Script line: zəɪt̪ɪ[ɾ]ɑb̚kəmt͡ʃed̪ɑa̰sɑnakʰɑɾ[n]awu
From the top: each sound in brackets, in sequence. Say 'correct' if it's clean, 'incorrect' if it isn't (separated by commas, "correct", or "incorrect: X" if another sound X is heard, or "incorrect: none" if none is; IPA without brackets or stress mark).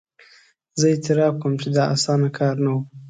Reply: correct, correct